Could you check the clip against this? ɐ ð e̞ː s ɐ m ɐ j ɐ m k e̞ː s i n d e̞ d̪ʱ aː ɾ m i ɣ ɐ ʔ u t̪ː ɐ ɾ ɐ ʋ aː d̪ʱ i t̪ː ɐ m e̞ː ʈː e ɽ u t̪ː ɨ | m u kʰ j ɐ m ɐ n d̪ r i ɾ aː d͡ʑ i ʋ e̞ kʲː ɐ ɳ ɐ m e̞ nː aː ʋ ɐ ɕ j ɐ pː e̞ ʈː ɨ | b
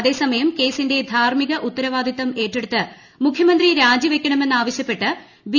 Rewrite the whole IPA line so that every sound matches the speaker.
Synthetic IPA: ɐ ð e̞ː s ɐ m ɐ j ɐ m k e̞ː s i n d e̞ d̪ʱ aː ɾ m i ɣ ɐ ʔ u t̪ː ɐ ɾ ɐ ʋ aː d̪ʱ i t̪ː ɐ m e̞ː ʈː e ɽ u t̪ː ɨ | m u kʰ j ɐ m ɐ n d̪ r i ɾ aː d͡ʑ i ʋ e̞ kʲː ɐ ɳ ɐ m e̞ nː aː ʋ ɐ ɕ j ɐ pː e̞ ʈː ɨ | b